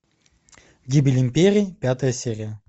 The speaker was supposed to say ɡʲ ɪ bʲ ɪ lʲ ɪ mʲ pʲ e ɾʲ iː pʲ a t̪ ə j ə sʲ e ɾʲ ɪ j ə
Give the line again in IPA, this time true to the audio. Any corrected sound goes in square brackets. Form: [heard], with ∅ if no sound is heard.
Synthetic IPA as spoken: ɡʲ [i] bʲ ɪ lʲ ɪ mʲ pʲ e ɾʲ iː pʲ a t̪ ə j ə sʲ e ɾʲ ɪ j ə